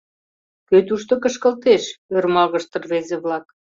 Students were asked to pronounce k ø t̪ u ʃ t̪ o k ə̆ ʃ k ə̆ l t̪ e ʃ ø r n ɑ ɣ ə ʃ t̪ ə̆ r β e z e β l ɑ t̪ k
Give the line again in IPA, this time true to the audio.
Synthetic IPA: k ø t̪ u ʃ t̪ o k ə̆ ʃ k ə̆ l t̪ e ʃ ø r m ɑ ɣ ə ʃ t̪ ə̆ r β e z e β l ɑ k